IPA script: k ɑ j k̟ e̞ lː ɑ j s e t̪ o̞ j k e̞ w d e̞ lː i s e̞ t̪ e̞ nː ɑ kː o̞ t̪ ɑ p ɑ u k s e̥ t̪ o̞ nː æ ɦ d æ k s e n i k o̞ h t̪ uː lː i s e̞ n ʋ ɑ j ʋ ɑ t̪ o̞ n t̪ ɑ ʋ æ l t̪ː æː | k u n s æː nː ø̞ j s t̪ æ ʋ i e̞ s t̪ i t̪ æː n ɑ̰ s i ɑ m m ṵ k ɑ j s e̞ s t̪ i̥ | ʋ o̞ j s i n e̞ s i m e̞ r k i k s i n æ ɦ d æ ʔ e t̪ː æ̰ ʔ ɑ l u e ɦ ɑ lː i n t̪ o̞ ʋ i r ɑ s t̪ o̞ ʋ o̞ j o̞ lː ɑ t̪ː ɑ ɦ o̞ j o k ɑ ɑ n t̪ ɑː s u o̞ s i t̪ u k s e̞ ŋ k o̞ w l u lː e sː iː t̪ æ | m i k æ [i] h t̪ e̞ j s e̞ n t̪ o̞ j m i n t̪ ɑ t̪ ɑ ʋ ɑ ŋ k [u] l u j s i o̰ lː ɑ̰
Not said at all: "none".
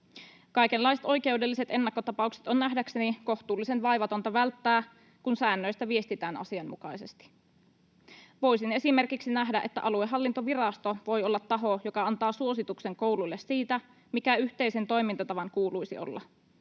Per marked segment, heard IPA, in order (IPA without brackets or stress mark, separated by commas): y, uː